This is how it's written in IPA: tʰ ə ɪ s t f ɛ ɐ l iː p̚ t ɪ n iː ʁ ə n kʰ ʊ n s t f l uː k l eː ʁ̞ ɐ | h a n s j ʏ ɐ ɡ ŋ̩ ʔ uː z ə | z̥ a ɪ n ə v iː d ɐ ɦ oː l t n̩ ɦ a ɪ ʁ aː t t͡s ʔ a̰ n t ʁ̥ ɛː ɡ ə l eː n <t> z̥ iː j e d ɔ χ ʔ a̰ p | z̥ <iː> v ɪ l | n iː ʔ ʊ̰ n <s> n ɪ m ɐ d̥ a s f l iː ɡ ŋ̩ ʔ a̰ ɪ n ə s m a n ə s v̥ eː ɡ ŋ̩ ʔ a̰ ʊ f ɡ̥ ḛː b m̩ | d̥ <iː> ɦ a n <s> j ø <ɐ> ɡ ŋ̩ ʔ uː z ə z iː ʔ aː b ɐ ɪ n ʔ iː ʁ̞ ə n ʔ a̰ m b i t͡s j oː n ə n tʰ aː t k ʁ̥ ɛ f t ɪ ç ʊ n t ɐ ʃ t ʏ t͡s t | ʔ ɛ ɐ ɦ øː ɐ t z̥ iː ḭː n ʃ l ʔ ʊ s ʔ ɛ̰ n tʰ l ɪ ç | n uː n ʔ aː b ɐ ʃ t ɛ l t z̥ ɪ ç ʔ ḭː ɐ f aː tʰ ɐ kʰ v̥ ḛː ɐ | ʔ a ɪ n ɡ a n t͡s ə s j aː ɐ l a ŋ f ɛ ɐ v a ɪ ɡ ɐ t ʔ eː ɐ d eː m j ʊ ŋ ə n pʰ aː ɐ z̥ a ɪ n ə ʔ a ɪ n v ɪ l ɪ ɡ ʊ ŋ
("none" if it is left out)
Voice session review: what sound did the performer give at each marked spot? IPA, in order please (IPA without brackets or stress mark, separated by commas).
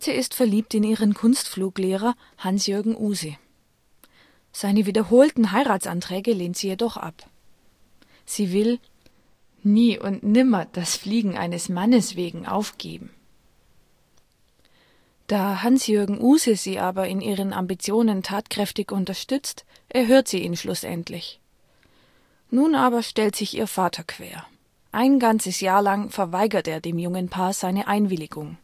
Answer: t, iː, t, aː, s, ɐ